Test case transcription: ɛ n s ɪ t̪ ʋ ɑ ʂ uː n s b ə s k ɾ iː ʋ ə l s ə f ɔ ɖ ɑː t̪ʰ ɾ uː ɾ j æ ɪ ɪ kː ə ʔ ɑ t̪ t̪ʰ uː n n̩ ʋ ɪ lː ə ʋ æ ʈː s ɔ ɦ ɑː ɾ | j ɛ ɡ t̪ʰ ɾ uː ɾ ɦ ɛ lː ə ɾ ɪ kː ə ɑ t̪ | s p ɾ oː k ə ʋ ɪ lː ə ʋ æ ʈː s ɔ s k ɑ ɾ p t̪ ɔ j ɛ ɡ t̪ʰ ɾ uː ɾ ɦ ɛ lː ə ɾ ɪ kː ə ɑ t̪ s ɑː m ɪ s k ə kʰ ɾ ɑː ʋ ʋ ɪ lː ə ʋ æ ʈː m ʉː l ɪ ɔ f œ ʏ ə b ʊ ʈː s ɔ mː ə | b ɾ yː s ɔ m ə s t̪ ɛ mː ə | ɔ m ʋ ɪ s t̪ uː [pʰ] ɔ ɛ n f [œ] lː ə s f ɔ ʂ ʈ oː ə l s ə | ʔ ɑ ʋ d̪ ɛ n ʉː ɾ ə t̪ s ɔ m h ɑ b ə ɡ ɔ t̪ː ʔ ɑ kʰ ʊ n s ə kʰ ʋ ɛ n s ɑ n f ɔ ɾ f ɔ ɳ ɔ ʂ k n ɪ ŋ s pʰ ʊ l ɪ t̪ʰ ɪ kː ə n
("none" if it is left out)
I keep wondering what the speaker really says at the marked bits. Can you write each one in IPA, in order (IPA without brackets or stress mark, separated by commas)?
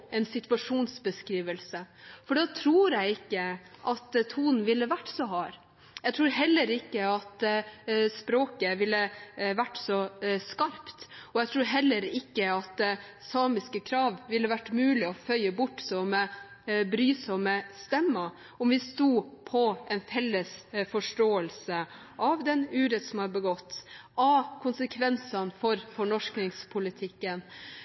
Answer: pʰ, ɛ